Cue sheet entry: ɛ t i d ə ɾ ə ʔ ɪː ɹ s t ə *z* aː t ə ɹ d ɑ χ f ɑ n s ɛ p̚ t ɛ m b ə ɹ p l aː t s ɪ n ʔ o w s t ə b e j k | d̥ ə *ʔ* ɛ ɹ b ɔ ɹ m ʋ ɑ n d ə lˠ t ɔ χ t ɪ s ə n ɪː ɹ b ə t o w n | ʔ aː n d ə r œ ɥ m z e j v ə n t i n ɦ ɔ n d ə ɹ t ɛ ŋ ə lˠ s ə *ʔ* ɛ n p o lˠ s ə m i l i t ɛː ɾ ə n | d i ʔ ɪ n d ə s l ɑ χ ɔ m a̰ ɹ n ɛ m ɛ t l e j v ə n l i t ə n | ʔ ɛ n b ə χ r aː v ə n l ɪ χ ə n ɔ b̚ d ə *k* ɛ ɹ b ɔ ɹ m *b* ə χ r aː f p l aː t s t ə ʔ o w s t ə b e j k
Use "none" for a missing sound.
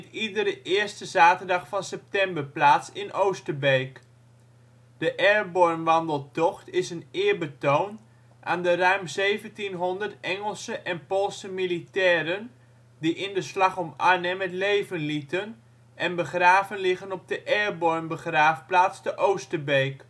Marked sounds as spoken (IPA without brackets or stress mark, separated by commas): z, ʔ, ʔ, ʔ, b